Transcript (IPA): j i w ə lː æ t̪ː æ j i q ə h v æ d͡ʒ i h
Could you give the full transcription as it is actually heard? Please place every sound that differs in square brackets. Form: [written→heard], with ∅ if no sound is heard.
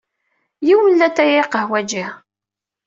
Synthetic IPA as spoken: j i w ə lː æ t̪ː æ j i q ə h [v→w] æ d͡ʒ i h